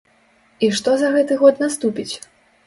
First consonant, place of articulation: retroflex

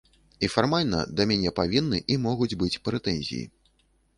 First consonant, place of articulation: labial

